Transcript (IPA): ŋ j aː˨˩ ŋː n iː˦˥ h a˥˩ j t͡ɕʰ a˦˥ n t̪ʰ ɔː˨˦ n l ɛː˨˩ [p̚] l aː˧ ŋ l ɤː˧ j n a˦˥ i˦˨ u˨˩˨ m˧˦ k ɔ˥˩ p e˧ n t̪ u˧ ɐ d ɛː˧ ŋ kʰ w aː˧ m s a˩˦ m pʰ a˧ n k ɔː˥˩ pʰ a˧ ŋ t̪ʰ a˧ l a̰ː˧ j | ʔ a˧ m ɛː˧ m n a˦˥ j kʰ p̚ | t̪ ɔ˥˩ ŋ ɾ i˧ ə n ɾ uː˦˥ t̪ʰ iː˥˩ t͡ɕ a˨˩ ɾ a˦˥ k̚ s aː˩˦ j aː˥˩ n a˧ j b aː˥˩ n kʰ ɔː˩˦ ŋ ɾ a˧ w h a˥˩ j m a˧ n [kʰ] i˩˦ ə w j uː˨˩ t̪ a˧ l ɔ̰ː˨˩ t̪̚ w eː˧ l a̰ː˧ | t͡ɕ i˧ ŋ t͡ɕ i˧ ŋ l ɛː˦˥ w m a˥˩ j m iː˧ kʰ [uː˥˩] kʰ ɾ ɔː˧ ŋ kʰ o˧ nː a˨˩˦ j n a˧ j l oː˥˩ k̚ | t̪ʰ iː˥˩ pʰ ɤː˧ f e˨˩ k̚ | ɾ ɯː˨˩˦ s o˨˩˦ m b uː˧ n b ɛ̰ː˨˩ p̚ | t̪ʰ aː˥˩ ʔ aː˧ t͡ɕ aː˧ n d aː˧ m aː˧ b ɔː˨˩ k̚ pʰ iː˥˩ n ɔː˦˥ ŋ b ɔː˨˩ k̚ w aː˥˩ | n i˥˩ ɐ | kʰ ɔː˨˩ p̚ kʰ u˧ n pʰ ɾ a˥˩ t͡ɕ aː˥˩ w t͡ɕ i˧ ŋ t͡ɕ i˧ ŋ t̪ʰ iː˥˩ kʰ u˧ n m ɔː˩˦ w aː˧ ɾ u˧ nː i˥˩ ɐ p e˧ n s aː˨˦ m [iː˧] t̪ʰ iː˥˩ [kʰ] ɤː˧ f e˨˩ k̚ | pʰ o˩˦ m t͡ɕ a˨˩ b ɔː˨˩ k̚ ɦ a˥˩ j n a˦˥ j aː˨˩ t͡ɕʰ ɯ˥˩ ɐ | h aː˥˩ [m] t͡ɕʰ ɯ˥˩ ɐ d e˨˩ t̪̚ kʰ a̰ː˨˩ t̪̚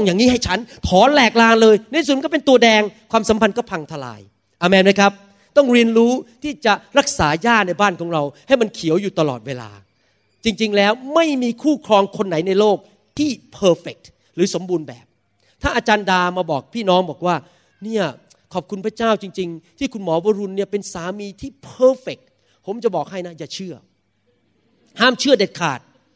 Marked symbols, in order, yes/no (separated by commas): no, yes, yes, yes, no, yes